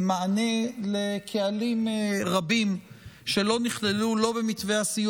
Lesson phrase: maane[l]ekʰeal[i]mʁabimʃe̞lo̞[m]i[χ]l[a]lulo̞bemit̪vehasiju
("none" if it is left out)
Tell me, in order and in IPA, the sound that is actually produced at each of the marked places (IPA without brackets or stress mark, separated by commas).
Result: l, i, n, χ, e